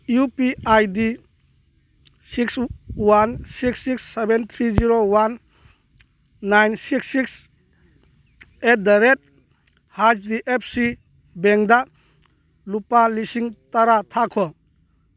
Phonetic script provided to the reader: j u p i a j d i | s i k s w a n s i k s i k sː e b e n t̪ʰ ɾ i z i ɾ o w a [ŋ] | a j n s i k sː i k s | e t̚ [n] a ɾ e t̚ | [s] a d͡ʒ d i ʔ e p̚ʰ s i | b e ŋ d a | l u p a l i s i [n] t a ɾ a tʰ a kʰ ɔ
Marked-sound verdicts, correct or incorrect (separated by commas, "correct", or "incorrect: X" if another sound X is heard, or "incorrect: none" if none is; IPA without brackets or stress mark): incorrect: n, incorrect: d, incorrect: h, incorrect: ŋ